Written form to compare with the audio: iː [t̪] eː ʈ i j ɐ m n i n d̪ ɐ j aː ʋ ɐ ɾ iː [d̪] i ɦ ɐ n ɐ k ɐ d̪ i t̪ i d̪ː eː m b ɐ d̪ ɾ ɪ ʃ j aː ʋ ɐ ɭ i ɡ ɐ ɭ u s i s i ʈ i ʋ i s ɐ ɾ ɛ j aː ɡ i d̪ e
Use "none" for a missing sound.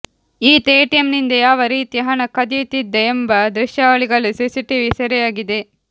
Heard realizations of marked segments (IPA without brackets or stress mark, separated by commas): t̪, t̪